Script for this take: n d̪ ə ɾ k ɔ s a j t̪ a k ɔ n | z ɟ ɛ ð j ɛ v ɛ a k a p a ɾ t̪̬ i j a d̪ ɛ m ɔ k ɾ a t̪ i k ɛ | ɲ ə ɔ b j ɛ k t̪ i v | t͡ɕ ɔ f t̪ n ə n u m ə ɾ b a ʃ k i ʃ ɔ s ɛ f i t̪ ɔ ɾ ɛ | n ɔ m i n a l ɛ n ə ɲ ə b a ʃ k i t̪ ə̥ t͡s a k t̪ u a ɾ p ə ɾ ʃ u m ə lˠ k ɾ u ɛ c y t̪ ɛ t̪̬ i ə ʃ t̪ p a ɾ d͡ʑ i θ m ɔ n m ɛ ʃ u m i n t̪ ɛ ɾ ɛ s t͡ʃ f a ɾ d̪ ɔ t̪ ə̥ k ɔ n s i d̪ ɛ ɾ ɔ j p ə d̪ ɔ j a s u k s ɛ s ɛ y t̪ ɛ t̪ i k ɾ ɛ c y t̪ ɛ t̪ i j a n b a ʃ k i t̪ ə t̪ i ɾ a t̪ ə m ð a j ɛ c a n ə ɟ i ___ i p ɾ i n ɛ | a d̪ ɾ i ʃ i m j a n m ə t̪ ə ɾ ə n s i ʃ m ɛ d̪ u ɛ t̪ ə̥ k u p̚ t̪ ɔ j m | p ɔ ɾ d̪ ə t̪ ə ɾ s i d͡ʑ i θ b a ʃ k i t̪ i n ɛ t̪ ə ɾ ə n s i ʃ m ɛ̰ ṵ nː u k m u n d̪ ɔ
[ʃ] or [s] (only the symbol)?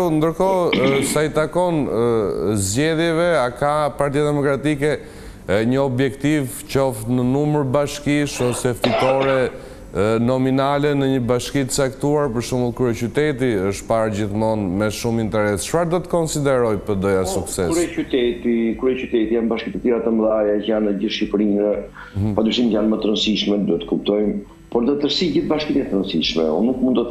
ʃ